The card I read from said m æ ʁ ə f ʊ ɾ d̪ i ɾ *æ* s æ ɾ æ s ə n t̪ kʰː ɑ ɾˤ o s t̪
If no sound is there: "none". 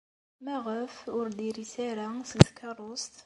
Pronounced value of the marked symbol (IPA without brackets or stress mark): i